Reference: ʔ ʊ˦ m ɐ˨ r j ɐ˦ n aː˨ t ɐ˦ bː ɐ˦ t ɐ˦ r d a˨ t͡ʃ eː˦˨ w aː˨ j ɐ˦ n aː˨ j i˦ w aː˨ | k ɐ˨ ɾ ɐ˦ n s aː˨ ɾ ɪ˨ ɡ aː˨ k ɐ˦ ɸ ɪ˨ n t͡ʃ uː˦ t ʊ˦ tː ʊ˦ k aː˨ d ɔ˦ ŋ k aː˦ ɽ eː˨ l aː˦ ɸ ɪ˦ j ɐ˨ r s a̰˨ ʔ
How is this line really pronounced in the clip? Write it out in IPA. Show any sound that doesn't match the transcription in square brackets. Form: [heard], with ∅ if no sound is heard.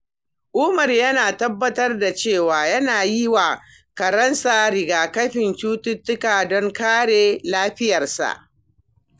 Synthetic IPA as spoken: ʔ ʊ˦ m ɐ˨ r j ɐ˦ n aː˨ t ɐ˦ bː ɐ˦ t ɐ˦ r d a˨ t͡ʃ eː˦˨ w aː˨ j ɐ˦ n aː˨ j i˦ w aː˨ | k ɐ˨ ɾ ɐ˦ n s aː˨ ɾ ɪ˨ ɡ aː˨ k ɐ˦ ɸ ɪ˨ n t͡ʃ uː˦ t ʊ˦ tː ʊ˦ k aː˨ d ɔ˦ ŋ k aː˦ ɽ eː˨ l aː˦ ɸ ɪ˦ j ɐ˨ r s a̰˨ ʔ